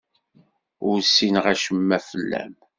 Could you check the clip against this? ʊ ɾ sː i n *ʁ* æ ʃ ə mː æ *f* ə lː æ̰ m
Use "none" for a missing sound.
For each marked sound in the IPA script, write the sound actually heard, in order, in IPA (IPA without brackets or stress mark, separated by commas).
ʁ, f